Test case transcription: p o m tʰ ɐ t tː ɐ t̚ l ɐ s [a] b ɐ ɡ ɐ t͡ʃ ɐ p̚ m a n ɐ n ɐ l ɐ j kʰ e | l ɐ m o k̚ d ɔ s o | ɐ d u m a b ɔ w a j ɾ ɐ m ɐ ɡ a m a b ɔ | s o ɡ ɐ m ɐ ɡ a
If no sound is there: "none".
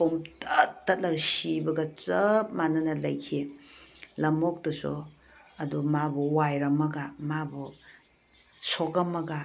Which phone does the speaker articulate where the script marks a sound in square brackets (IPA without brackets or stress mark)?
i